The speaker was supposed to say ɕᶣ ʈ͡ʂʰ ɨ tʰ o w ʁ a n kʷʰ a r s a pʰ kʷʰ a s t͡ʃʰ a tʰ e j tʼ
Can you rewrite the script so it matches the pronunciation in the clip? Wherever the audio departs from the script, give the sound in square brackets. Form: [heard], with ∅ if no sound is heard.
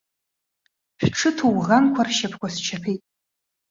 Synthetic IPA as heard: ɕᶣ ʈ͡ʂʰ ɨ tʰ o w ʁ a n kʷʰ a r [ʃ] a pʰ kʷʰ a s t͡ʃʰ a [pʰ] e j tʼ